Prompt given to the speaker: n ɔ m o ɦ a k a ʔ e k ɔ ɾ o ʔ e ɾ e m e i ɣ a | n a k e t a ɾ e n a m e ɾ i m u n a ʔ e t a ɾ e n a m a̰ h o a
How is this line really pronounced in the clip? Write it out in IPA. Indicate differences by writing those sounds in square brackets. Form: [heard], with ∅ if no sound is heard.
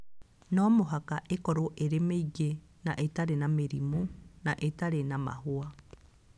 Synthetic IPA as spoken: n ɔ m o ɦ a k a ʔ e k ɔ ɾ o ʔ e ɾ e m e i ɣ [e] | n a [ʔ] e t a ɾ e n a m e ɾ i m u n a ʔ e t a ɾ e n a m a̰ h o a